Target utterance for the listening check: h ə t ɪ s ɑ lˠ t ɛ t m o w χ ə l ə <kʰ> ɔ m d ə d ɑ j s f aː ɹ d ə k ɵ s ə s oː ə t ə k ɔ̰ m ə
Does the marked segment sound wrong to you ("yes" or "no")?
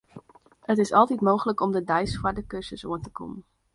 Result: yes